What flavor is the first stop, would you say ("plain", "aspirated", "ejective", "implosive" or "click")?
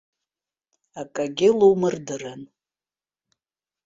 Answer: ejective